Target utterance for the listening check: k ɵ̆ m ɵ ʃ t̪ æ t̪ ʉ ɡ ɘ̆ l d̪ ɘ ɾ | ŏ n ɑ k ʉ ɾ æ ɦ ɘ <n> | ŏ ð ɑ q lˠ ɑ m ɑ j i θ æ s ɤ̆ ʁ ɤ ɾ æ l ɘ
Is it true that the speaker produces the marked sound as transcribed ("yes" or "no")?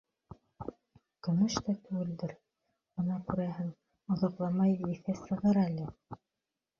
no